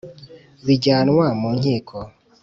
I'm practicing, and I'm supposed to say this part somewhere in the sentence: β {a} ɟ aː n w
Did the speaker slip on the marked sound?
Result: yes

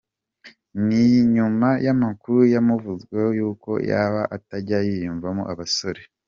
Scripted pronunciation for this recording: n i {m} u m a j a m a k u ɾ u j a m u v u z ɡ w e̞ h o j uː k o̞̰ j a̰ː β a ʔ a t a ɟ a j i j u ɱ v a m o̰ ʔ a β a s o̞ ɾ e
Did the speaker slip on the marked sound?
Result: yes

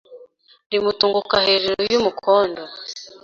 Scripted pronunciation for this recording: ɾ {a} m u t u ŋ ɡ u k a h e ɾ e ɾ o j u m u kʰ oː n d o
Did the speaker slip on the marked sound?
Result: yes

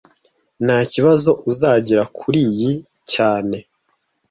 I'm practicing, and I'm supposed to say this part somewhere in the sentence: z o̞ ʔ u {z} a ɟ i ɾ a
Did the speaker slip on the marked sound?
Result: no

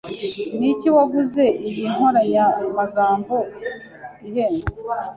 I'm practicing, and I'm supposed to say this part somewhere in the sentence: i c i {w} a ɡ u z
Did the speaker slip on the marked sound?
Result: no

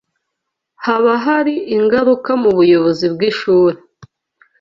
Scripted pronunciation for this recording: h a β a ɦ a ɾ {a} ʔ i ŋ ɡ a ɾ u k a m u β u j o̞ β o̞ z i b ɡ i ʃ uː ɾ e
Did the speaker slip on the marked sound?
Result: yes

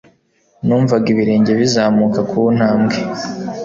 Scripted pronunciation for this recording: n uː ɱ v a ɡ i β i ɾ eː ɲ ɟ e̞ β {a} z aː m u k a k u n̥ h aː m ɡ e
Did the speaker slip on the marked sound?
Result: yes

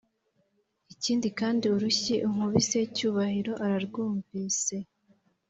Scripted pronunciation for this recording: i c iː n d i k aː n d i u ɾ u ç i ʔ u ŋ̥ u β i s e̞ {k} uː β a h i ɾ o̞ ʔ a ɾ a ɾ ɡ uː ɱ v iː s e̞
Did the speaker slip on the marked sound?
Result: yes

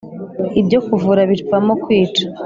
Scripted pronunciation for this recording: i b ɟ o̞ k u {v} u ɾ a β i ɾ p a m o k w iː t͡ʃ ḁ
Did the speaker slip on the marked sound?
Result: no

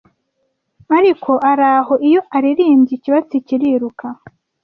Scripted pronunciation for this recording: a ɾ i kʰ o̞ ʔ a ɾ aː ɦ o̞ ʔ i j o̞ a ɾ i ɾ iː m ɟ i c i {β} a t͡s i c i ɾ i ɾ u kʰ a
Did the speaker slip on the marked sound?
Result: no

